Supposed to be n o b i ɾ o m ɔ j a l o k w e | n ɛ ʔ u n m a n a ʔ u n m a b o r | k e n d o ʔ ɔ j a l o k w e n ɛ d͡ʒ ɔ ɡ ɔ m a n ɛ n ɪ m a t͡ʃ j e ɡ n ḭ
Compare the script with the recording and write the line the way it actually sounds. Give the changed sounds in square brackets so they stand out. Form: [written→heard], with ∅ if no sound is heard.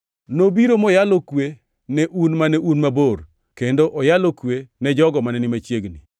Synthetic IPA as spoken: n o b i ɾ o m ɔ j a l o k w e | n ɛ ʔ u n m a n [a→ɛ] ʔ u n m a b o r | k e n d o ʔ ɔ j a l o k w e n ɛ d͡ʒ ɔ ɡ ɔ m a n ɛ n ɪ m a t͡ʃ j e ɡ n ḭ